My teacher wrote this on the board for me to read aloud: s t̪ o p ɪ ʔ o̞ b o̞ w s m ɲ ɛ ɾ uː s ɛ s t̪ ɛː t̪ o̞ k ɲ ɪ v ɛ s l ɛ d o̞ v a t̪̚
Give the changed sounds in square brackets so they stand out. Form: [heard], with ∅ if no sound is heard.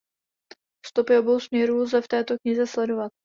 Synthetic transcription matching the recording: s t̪ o p ɪ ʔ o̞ b o̞ w s m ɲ ɛ ɾ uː [z] ɛ [f] t̪ ɛː t̪ o̞ k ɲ ɪ [z] ɛ s l ɛ d o̞ v a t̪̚